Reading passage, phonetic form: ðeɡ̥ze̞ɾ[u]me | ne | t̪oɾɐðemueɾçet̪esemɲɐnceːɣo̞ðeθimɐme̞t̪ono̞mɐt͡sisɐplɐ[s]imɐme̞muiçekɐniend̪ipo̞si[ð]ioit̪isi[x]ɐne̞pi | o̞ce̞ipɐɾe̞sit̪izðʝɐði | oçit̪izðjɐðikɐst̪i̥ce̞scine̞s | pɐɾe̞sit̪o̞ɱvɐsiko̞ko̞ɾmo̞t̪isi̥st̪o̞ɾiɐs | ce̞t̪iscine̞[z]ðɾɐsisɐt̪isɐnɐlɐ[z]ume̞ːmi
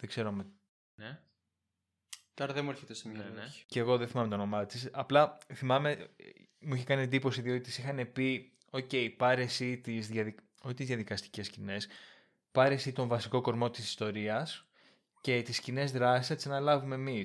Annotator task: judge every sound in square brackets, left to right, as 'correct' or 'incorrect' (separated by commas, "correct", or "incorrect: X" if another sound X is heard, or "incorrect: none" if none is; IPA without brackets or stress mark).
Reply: incorrect: o, incorrect: θ, correct, correct, correct, incorrect: v